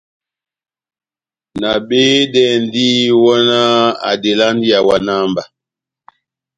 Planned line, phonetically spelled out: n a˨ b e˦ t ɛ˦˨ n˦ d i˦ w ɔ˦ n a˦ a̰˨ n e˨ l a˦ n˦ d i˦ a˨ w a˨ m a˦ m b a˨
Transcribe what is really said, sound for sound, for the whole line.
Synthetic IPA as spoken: n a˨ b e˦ d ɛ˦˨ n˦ d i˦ w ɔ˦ n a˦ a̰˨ d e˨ l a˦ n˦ d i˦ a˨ w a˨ n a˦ m b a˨